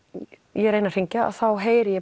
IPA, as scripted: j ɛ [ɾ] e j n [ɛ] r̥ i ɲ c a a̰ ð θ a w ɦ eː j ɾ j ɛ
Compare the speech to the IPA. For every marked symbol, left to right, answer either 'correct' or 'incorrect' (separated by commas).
correct, incorrect